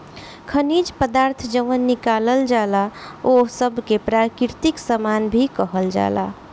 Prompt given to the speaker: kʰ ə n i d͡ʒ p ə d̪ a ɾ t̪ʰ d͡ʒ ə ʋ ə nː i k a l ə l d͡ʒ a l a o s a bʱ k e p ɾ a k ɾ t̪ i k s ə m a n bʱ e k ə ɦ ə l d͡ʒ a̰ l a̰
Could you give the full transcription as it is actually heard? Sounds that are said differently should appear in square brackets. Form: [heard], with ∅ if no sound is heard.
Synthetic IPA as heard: kʰ ə n i d͡ʒ p ə d̪ a ɾ t̪ʰ d͡ʒ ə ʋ ə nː i k a l ə l d͡ʒ a l a o s [ə] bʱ k e p ɾ a k ɾ t̪ i k s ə m a n bʱ [i] k ə ɦ ə l d͡ʒ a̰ l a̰